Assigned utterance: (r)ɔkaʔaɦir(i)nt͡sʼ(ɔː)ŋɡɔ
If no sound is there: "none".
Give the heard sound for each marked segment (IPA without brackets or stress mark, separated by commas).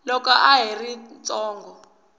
l, i, ɔː